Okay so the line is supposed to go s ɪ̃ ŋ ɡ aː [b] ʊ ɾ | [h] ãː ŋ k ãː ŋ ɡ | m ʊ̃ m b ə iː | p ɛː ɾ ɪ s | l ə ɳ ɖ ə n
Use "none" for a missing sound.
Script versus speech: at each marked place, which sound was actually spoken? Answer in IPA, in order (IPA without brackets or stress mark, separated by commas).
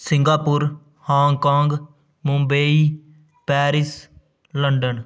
p, h